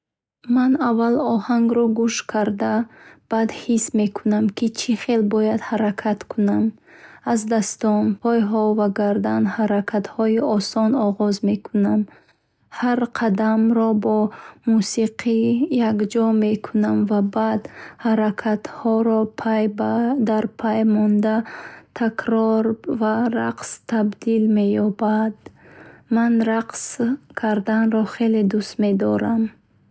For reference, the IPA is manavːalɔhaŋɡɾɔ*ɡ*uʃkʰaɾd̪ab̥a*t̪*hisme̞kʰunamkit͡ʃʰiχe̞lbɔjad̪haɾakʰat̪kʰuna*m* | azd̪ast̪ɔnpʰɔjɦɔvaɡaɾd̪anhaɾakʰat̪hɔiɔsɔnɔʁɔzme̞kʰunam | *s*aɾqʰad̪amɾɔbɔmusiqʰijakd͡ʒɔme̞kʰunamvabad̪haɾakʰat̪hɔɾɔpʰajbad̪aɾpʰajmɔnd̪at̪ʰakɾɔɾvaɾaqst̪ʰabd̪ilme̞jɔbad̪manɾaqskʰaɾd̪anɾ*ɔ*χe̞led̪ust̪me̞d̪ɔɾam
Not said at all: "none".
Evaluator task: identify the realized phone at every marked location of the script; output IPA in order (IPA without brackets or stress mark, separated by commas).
ɡ, d̪, m, h, ɔ